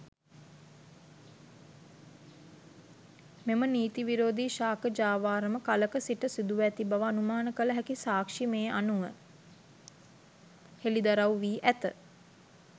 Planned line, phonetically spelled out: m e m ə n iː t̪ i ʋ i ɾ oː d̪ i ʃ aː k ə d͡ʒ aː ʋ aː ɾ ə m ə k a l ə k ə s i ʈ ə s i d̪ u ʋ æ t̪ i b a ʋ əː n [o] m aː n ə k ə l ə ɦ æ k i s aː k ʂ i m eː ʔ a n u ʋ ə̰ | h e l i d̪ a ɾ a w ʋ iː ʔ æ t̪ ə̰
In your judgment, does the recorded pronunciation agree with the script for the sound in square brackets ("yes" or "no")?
no